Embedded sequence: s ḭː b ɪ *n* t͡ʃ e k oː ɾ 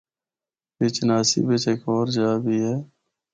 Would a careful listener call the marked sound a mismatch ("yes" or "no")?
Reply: yes